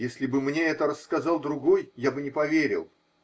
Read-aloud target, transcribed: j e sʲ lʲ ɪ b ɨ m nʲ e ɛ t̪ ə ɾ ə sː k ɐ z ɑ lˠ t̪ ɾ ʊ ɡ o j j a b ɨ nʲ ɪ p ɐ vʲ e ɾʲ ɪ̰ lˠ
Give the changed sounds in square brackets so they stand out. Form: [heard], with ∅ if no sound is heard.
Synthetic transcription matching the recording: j e sʲ lʲ ɪ b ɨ m nʲ e ɛ t̪ ə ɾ ə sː k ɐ z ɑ lˠ [d̪] ɾ ʊ ɡ o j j a b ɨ nʲ ɪ p ɐ vʲ e ɾʲ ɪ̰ lˠ